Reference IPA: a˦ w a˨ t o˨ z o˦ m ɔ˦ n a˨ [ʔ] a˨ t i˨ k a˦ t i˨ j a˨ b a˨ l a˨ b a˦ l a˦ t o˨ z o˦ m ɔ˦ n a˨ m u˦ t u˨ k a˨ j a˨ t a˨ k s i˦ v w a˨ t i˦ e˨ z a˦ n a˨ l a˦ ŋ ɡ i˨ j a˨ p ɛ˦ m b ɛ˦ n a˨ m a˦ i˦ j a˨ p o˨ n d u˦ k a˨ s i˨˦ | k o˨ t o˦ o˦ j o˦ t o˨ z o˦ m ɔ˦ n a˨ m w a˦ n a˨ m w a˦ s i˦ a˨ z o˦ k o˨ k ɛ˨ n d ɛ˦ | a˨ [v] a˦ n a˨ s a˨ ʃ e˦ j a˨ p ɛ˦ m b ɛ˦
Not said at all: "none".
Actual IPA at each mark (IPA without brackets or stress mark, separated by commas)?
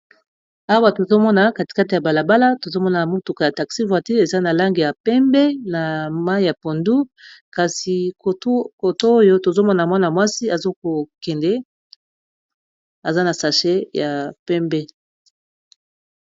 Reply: k, z